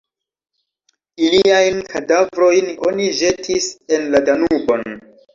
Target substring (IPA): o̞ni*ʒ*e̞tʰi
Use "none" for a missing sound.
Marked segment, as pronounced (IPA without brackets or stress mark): ʒ